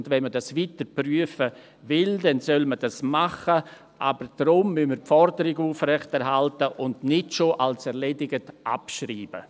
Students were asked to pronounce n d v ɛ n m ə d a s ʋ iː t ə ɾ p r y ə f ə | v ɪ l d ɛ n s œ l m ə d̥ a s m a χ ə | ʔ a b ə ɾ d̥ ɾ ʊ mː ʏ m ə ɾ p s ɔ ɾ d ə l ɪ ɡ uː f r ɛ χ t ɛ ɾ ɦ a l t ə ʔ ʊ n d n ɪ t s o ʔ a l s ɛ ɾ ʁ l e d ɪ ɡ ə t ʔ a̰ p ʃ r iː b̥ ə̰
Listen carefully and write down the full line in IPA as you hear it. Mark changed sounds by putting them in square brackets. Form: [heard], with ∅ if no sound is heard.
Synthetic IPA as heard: n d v ɛ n m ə d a s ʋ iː t ə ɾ p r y ə f ə | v ɪ l d ɛ n s œ l m ə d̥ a s m a χ ə | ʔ a b ə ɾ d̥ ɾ ʊ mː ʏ m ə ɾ p [f] ɔ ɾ d ə [ɾ] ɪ ɡ uː f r ɛ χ t ɛ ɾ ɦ a l t ə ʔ ʊ n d n ɪ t [ʃ] o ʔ a l s ɛ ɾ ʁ l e d ɪ ɡ ə t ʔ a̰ p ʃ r iː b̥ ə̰